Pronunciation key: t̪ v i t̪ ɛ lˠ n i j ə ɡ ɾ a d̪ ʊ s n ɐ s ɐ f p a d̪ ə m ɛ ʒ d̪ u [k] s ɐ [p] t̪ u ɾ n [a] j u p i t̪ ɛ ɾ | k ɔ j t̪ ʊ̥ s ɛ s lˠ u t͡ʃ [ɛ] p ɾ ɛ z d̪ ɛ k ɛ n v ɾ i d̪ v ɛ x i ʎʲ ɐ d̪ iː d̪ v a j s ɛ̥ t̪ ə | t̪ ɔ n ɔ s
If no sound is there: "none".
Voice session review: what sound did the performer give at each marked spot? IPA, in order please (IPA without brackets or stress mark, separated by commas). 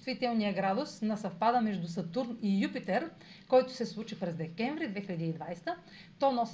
none, none, i, i